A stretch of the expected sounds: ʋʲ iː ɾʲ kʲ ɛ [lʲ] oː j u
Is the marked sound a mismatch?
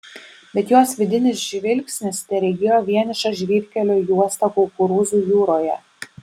no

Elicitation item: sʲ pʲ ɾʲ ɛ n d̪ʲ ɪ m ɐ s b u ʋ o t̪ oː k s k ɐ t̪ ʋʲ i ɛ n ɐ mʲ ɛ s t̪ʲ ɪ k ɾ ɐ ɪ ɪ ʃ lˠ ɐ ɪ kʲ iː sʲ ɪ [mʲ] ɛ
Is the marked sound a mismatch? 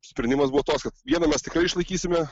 no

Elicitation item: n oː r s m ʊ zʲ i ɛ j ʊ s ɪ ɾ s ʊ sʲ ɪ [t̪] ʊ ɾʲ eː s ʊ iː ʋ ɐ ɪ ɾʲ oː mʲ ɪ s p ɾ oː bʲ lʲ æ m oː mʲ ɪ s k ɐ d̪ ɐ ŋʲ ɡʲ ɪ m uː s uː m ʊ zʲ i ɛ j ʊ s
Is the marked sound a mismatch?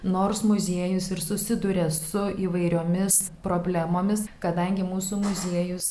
yes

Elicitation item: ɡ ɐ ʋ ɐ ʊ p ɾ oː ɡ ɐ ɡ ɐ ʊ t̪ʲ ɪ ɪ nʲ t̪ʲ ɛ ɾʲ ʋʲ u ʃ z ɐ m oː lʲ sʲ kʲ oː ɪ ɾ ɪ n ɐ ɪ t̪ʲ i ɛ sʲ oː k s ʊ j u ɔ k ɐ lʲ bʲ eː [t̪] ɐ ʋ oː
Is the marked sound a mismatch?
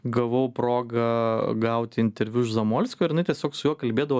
yes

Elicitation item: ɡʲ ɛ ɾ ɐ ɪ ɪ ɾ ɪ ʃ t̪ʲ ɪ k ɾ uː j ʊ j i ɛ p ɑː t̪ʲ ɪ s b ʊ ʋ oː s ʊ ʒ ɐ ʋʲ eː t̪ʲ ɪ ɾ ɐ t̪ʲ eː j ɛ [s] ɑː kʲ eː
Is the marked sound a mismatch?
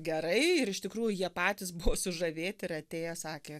no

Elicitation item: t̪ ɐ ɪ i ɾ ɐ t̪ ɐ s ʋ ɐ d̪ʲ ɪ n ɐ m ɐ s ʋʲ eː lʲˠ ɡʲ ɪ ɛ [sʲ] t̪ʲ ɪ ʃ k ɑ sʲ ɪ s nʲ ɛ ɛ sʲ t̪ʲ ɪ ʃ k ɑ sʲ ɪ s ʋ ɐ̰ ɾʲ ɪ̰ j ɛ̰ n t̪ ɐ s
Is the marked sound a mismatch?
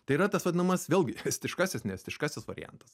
no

